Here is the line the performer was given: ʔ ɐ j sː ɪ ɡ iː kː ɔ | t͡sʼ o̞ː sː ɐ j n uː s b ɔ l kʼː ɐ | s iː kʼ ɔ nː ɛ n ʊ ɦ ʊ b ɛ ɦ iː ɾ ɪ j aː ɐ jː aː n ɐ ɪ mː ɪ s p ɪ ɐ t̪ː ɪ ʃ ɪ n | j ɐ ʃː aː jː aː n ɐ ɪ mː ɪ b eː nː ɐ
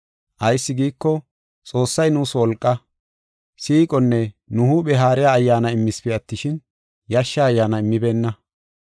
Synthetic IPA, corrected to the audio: ʔ ɐ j sː ɪ ɡ iː kː ɔ | t͡sʼ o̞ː sː ɐ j n uː s w ɔ l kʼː ɐ | s iː kʼ ɔ nː ɛ n ʊ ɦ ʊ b ɛ ɦ aː ɾ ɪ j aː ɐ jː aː n ɐ ɪ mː ɪ s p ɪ ɐ t̪ː ɪ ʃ ɪ n | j ɐ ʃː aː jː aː n ɐ ɪ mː ɪ b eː nː ɐ